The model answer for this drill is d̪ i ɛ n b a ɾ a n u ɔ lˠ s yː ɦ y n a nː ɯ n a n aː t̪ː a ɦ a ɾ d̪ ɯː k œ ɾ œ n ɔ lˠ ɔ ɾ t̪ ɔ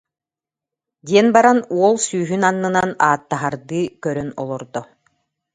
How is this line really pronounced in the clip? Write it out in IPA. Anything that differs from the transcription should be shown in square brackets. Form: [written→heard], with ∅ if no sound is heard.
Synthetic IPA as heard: d̪ i ɛ n b a ɾ a n u ɔ lˠ s yː ɦ y n a nː ɯ n a n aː t̪ː a ɦ a ɾ d̪ ɯː k œ ɾ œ n ɔ lˠ ɔ ɾ [t̪→d̪] ɔ